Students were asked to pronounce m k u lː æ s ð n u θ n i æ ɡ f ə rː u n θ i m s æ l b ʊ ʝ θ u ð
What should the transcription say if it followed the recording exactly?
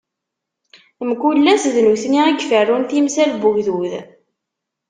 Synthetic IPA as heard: m k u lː æ s ð n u θ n i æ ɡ f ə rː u n θ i m s æ l b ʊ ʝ ð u ð